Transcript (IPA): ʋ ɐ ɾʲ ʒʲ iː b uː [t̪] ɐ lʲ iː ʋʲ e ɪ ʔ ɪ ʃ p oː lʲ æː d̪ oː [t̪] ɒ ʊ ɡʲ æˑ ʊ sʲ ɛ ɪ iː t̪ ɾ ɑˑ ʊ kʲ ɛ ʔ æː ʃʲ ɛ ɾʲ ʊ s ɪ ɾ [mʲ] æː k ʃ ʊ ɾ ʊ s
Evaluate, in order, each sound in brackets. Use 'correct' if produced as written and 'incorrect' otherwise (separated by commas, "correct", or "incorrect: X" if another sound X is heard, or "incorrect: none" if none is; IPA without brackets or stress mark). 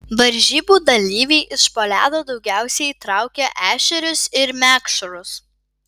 incorrect: d̪, incorrect: d̪, correct